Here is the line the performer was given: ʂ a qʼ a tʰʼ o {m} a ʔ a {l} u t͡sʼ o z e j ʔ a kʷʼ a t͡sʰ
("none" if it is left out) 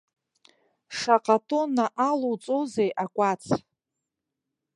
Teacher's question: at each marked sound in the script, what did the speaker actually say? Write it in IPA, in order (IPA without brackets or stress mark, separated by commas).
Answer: n, l